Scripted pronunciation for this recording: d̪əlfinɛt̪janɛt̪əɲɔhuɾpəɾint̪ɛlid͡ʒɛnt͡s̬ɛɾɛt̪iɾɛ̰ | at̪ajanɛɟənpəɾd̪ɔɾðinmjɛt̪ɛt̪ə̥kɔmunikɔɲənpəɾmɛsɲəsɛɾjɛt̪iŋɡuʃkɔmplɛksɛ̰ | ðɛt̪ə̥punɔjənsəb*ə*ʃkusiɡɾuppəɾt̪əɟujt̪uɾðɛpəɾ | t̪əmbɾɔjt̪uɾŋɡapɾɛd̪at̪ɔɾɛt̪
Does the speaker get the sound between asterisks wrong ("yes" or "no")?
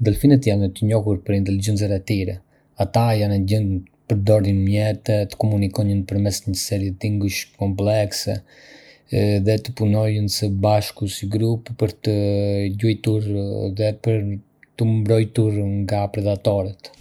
yes